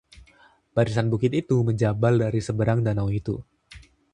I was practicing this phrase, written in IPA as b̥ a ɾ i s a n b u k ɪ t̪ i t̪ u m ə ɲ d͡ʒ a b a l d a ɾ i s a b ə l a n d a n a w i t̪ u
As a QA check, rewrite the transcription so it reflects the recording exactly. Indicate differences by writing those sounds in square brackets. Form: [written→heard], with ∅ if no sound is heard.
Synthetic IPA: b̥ a ɾ i s a n b u k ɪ t̪ i t̪ u m ə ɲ d͡ʒ a b a l d a ɾ i s [a→ə] b ə [l→ɾ] a [n→ŋ] d a n a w i t̪ u